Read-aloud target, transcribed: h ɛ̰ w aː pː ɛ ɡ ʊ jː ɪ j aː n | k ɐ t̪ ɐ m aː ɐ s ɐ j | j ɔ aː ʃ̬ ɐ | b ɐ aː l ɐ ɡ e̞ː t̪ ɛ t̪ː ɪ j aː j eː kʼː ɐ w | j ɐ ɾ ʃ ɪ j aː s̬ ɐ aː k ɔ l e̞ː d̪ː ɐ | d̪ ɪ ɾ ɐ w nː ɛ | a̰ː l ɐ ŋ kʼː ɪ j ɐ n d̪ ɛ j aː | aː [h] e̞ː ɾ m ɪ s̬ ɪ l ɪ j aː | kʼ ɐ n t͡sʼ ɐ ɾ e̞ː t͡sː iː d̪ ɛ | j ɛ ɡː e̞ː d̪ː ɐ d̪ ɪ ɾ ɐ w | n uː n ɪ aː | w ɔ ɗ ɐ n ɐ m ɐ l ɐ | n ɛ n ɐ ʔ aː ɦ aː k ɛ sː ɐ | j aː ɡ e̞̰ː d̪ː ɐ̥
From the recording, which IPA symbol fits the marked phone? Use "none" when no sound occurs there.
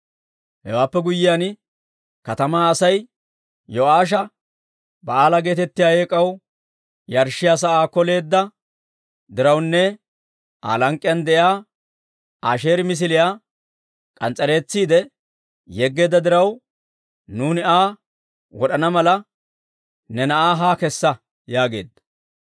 ʃ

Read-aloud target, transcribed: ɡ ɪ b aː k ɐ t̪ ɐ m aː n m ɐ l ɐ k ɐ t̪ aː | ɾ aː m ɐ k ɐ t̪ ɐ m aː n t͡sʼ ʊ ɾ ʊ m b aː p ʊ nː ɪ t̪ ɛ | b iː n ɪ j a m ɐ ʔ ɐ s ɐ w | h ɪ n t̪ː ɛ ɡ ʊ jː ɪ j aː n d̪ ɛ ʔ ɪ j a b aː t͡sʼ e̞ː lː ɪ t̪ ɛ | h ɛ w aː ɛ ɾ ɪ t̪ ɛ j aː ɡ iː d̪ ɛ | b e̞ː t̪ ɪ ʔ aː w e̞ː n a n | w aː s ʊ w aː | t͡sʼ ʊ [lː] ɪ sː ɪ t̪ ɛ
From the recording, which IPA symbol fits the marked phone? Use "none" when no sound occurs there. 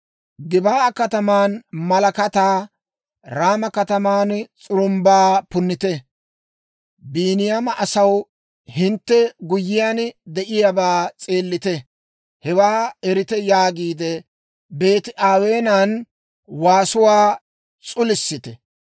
l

